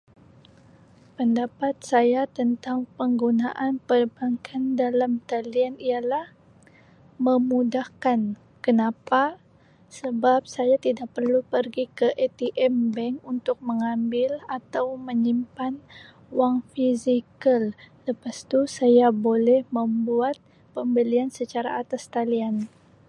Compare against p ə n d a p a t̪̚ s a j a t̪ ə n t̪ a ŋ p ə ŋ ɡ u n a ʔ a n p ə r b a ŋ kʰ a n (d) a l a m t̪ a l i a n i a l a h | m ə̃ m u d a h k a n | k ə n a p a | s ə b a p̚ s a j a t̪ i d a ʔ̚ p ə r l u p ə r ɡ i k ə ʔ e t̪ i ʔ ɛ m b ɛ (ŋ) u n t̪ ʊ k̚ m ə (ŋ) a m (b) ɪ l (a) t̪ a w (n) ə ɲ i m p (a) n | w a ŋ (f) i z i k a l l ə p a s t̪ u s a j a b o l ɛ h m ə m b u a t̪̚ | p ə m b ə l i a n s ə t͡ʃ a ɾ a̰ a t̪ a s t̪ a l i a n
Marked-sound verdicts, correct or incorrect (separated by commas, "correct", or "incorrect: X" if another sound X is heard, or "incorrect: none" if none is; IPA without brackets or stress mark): correct, correct, correct, correct, correct, incorrect: m, correct, correct